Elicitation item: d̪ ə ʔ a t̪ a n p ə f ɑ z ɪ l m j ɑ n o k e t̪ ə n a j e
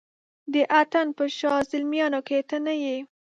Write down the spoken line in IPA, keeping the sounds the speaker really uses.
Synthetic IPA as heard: d̪ ə ʔ a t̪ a n p ə ʃ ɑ z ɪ l m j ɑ n o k e t̪ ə n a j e